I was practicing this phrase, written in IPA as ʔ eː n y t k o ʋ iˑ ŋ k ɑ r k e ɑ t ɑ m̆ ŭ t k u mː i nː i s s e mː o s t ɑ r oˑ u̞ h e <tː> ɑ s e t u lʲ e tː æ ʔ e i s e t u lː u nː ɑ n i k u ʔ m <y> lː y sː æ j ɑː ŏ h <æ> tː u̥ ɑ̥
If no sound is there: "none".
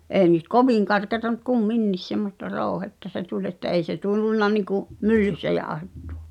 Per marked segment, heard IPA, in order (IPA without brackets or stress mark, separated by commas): tː, y, e